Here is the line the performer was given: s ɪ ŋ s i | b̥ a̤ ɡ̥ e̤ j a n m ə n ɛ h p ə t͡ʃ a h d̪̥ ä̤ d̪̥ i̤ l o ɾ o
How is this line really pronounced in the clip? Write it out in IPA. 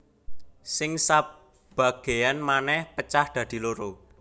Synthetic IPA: s ɪ ŋ s a | b̥ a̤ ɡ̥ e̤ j a n m a n ɛ h p ə t͡ʃ a h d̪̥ ä̤ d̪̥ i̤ l o ɾ o